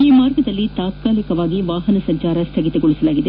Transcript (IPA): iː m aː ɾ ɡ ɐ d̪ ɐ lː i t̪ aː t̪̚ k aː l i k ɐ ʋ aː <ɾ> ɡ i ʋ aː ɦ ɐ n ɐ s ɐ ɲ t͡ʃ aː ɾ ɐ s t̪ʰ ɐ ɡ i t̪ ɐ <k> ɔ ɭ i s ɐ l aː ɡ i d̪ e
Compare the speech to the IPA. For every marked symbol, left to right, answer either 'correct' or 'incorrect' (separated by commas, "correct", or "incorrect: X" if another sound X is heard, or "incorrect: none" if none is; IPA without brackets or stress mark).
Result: incorrect: none, incorrect: ɡ